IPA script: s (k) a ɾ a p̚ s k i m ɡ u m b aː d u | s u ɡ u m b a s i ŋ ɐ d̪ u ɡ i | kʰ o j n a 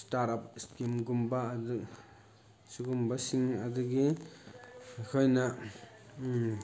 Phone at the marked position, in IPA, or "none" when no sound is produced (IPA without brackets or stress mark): t